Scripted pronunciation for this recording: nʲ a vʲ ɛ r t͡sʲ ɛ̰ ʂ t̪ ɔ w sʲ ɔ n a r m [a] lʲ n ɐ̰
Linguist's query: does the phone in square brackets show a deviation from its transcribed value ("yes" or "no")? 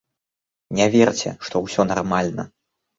no